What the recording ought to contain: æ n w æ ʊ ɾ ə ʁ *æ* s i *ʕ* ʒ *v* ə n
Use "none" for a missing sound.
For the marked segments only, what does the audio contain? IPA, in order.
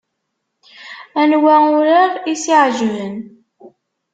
i, ʕ, v

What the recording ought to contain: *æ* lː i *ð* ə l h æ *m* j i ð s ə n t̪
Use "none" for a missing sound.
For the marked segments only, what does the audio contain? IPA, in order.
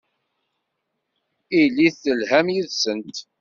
i, θ, m

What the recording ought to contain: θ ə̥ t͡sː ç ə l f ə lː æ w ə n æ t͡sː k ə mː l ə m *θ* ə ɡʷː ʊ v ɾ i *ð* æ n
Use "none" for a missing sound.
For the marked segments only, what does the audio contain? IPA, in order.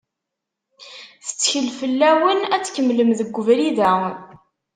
ð, ð

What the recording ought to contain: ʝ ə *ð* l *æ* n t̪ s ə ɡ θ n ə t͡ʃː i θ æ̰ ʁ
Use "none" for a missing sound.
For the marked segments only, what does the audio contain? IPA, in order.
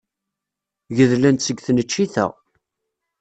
ð, æ

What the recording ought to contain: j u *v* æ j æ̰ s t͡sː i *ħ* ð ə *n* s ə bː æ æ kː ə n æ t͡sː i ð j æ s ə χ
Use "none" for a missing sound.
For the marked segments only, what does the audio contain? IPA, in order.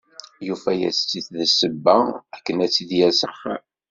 f, θ, none

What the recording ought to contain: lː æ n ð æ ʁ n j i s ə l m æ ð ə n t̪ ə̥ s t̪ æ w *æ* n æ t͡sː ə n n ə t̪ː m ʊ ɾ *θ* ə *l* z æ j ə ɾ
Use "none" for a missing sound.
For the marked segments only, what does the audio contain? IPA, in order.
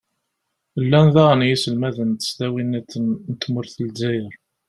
i, θ, l

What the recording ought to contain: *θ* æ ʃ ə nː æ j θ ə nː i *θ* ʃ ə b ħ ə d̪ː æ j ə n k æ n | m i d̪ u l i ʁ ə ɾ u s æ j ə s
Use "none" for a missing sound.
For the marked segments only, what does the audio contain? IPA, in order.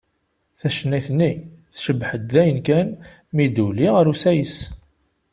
θ, θ

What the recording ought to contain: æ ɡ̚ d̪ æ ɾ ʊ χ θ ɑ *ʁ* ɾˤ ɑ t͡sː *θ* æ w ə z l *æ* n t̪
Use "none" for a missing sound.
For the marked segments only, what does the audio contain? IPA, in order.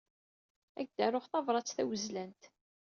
v, θ, æ

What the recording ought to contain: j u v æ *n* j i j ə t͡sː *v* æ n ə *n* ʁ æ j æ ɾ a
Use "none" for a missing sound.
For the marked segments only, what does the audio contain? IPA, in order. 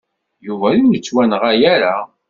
none, w, none

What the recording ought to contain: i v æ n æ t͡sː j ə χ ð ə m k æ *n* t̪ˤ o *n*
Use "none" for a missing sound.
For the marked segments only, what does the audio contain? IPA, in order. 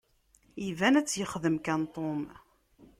n, m

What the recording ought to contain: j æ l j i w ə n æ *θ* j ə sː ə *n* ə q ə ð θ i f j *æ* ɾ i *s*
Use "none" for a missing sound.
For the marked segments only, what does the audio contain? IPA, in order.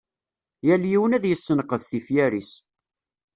ð, n, æ, s

